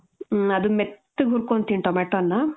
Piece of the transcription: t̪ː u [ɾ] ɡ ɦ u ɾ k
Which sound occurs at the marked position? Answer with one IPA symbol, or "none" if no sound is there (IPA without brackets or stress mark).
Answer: none